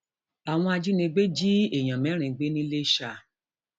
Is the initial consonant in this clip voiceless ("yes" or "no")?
no